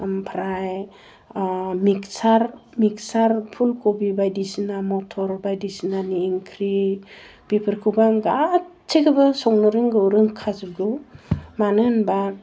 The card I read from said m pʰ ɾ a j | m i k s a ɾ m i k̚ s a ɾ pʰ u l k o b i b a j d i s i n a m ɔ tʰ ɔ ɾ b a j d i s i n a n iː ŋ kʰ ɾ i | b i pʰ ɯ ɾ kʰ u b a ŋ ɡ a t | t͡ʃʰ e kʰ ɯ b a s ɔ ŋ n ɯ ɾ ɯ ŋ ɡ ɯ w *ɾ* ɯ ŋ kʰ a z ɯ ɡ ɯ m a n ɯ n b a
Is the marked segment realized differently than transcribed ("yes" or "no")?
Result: no